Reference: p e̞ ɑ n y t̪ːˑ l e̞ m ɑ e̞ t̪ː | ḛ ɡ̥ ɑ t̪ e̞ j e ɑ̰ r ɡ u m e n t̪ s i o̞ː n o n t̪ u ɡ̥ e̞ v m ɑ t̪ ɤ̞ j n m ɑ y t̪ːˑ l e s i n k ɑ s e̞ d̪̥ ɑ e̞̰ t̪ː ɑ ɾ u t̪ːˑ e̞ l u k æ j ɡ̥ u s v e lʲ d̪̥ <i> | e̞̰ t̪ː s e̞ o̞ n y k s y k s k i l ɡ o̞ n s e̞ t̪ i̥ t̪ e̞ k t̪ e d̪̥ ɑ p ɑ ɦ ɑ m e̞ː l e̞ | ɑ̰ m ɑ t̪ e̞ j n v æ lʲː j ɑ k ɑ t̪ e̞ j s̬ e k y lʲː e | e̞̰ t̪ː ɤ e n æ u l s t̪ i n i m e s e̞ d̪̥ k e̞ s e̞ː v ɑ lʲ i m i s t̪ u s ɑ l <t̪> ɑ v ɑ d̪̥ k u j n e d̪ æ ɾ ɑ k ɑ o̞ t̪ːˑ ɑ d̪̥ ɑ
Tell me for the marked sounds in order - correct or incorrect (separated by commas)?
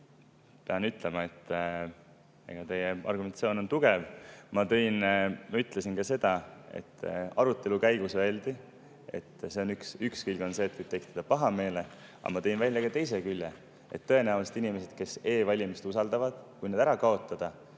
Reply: correct, incorrect